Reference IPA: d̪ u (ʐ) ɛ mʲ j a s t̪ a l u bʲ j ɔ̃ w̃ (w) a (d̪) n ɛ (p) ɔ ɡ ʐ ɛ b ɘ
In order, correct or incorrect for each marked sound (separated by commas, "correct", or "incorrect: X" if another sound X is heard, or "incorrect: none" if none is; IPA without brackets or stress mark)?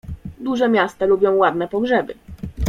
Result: correct, correct, correct, correct